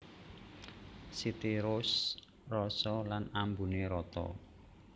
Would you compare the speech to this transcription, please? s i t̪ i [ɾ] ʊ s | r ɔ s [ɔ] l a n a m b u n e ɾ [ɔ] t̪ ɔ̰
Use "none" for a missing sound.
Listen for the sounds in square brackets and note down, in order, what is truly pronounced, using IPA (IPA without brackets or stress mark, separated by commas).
ɾ, ɔ, ɔ